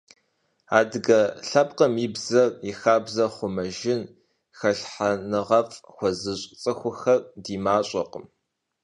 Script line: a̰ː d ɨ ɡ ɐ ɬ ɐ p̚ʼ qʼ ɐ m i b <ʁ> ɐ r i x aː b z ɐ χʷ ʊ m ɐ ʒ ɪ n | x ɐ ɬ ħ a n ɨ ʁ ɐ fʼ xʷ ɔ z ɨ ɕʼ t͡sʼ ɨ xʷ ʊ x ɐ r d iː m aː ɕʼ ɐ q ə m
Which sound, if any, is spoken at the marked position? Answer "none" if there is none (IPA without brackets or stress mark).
z